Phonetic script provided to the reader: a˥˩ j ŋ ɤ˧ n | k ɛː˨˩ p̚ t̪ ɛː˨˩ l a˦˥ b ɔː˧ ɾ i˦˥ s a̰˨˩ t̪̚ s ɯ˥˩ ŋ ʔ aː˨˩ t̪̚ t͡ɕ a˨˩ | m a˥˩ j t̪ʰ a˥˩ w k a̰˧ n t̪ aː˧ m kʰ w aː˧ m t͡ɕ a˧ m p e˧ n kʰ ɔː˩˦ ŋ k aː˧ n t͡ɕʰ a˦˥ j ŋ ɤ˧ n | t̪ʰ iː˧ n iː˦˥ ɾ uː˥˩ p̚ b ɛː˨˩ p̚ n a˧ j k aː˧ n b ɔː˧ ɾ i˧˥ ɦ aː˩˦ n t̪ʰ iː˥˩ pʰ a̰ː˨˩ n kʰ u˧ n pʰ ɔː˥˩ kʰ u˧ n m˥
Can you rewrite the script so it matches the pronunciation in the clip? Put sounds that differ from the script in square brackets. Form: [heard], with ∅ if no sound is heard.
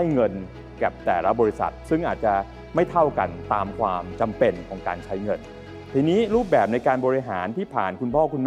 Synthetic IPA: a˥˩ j ŋ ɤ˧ n | k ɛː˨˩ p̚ t̪ ɛː˨˩ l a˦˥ b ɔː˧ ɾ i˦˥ s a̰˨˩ t̪̚ s ɯ˥˩ ŋ ʔ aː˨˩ t̪̚ t͡ɕ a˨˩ | m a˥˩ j t̪ʰ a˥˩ w k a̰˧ n t̪ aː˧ m kʰ w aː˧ m t͡ɕ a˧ m p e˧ n kʰ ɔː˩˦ ŋ k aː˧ n t͡ɕʰ a˦˥ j ŋ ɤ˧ n | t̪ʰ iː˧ n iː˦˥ ɾ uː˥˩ p̚ b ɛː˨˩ p̚ n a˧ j k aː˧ n b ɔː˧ ɾ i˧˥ ɦ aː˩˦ n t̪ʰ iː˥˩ pʰ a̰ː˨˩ n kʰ u˧ n pʰ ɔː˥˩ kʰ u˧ n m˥